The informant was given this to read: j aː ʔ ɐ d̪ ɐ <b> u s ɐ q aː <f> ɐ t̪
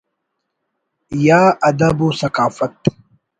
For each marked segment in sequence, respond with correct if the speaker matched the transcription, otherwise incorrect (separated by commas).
correct, correct